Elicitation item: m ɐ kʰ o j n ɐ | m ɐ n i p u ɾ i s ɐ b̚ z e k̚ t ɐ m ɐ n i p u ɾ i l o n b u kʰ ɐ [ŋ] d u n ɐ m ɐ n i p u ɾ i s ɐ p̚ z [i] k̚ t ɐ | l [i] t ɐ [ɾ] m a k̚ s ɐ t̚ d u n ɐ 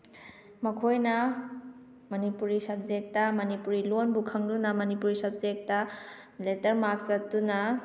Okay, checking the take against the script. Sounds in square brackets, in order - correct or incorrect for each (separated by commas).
correct, incorrect, incorrect, correct